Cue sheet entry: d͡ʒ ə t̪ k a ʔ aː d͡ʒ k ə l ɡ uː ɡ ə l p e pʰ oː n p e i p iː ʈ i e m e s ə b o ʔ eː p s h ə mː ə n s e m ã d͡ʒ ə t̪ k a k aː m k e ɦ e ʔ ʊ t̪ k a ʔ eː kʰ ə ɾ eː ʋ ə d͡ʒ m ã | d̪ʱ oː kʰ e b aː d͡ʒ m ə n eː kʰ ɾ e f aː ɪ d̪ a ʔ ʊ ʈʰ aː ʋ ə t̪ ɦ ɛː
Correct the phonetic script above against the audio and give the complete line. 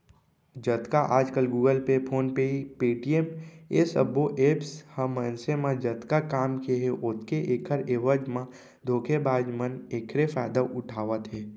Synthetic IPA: d͡ʒ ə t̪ k a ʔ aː d͡ʒ k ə l ɡ uː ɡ ə l p e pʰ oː n p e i p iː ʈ i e m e s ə b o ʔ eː p s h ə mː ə n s e m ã d͡ʒ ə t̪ k a k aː m k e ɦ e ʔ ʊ t̪ k e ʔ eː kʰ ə ɾ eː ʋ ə d͡ʒ m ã | d̪ʱ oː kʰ e b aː d͡ʒ m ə n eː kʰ ɾ e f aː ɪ d̪ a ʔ ʊ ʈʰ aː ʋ ə t̪ ɦ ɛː